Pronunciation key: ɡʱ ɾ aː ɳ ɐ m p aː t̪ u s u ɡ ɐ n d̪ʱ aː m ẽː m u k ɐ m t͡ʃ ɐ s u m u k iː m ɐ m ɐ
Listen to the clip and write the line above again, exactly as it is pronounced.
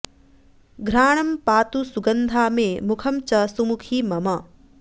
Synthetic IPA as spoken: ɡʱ ɾ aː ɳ ɐ m p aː t̪ u s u ɡ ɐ n d̪ʱ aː m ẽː m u kʰ ɐ m t͡ʃ ɐ s u m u kʰ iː m ɐ m ɐ